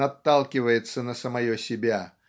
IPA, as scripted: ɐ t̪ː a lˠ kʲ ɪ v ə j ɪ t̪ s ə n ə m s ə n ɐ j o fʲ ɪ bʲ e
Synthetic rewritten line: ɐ t̪ː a lˠ kʲ ɪ v ə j ɪ t̪ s ə n ə s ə m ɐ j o sʲ ɪ bʲ a